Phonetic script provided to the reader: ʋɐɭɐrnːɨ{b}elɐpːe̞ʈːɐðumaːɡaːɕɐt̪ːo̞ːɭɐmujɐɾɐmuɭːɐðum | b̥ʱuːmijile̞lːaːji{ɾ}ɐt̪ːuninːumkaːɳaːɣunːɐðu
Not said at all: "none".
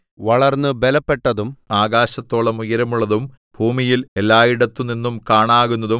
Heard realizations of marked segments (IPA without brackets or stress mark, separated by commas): b, ɽ